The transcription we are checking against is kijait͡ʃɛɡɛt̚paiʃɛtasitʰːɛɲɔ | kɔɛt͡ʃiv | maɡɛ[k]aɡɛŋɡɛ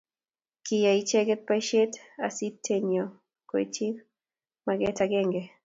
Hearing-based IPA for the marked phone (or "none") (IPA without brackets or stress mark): t